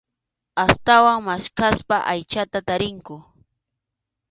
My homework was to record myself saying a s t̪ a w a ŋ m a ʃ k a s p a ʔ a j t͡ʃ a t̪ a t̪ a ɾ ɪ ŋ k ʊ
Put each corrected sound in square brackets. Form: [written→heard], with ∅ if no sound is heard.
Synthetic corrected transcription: a s t̪ a w a ŋ m a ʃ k a s p a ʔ a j t͡ʃ a t̪ a t̪ a ɾ ɪ ŋ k ʊ

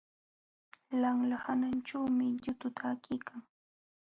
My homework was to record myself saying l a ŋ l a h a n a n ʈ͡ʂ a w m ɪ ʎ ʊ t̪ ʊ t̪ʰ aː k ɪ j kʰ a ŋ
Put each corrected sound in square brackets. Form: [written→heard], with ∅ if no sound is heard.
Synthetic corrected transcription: l a ŋ l a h a n a n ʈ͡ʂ a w m ɪ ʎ ʊ t̪ ʊ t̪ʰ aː k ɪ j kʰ a ŋ

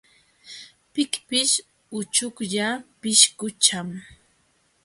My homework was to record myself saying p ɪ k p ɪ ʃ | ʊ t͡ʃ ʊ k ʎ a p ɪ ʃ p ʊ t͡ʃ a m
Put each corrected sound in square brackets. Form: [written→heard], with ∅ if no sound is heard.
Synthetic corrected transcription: p ɪ k p ɪ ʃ | ʊ t͡ʃ ʊ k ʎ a p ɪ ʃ [p→k] ʊ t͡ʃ a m

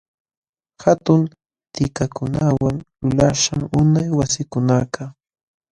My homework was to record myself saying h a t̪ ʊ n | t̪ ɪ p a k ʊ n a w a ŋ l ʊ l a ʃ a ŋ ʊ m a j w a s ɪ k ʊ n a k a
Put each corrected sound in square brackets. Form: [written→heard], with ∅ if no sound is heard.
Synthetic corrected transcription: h a t̪ ʊ n | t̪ ɪ [p→k] a k ʊ n a w a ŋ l ʊ l a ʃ a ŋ ʊ [m→n] a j w a s ɪ k ʊ n a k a

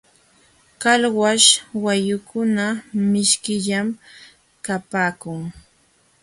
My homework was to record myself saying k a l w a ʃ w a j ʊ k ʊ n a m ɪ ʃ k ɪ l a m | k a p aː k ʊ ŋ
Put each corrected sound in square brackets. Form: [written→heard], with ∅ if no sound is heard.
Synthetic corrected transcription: k a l w a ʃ w a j ʊ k ʊ n a m ɪ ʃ k ɪ [l→ʎ] a m | k a p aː k ʊ ŋ

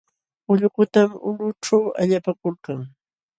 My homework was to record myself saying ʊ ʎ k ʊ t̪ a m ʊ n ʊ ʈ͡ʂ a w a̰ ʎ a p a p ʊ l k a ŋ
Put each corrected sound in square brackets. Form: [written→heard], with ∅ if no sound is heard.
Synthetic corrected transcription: ʊ ʎ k ʊ t̪ a m ʊ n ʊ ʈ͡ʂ a w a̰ ʎ a p a [p→k] ʊ l k a ŋ

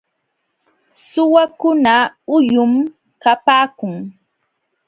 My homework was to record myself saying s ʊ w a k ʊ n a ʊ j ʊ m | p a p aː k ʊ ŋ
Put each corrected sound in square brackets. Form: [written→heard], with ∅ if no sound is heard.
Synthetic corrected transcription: s ʊ w a k ʊ n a ʊ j ʊ m | [p→k] a p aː k ʊ ŋ

